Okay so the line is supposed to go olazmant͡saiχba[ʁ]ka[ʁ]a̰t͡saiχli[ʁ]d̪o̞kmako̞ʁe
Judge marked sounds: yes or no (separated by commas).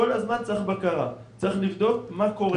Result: no, yes, no